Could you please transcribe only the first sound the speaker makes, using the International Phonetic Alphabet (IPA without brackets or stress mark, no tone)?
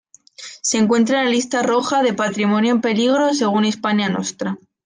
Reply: s